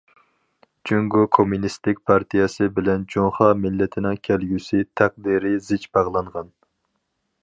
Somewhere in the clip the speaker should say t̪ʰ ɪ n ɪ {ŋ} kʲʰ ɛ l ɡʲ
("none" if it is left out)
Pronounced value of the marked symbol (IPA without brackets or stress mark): ŋ